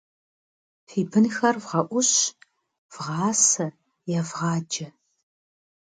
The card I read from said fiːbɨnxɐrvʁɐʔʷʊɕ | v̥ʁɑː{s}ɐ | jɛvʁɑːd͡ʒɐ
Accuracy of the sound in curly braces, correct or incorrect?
correct